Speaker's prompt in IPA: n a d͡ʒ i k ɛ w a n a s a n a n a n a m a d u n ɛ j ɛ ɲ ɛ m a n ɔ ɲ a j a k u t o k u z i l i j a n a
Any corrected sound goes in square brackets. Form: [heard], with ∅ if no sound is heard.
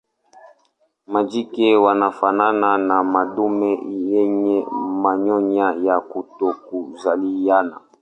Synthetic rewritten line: [m] a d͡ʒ i k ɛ w a n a [f] a n a n a n a m a d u [m] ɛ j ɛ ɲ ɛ m a [ɲ] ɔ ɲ a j a k u t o k u z [a] l i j a n a